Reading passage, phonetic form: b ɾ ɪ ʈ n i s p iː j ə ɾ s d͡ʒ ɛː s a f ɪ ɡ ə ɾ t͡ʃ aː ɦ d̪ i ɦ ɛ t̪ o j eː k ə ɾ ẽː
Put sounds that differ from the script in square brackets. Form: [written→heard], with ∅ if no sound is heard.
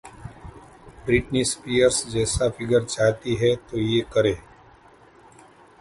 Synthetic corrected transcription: b ɾ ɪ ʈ n i s p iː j ə ɾ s d͡ʒ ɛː s a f ɪ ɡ ə ɾ t͡ʃ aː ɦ [d̪→t̪] i ɦ ɛ t̪ o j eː k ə ɾ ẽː